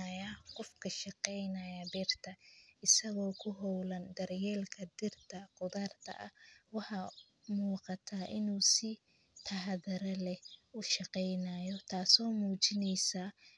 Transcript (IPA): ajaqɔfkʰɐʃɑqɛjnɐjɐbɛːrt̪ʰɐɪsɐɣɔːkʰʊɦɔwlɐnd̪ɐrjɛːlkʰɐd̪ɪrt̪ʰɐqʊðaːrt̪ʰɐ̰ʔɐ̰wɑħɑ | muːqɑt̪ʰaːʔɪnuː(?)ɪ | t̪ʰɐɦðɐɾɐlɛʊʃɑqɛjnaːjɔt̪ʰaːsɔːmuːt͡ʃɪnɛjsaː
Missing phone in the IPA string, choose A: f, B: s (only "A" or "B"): B